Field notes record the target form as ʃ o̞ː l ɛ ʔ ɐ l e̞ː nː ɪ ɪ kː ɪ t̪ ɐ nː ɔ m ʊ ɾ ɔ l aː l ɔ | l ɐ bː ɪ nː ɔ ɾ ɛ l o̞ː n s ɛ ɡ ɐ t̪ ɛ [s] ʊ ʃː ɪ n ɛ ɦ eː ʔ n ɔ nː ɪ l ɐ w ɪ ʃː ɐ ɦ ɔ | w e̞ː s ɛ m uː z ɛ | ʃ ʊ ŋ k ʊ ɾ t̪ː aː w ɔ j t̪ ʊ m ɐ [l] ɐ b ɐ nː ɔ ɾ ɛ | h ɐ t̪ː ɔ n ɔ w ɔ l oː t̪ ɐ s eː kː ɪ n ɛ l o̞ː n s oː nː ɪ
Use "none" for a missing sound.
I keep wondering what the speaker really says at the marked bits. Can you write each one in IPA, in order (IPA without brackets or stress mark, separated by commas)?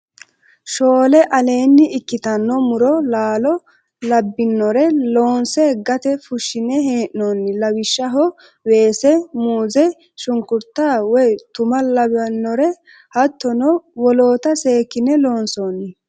f, l